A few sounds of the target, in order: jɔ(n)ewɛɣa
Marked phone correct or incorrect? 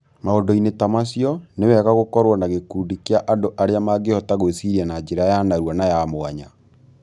correct